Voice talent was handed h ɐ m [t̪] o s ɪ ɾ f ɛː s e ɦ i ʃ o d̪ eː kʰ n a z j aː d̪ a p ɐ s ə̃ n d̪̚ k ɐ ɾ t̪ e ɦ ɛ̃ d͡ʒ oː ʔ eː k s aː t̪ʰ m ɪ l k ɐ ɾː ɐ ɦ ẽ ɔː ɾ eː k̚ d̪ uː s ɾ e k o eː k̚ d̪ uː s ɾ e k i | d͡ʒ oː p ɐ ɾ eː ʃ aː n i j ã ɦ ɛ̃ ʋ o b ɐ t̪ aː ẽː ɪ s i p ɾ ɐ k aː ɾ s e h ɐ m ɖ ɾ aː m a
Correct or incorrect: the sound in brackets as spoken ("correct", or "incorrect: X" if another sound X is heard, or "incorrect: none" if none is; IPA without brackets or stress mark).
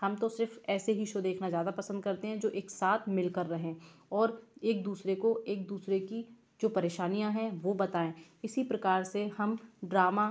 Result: correct